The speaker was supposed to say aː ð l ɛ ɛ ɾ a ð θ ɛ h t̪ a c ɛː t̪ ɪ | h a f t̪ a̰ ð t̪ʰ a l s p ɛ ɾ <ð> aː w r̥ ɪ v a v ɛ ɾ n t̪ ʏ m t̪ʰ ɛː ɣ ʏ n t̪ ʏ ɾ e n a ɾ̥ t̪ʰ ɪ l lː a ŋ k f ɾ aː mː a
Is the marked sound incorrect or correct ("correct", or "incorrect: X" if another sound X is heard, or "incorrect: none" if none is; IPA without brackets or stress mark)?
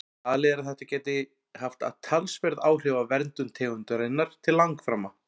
correct